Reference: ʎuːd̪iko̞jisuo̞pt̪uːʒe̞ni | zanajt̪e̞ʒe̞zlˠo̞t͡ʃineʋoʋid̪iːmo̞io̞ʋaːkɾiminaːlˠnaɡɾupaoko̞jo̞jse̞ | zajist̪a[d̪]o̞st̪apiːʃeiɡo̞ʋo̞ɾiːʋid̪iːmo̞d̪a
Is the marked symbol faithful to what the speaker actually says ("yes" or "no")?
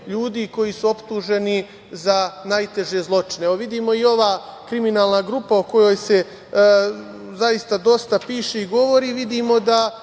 yes